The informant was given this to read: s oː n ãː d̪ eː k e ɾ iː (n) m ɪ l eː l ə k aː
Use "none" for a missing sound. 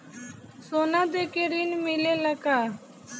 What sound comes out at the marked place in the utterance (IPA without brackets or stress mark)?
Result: n